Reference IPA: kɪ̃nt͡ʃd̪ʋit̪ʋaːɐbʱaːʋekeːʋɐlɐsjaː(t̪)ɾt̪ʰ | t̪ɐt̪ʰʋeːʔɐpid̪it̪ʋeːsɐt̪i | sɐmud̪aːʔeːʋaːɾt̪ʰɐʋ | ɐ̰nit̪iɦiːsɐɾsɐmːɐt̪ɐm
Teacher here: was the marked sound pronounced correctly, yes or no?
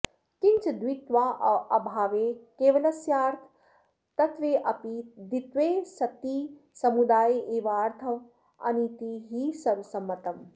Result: no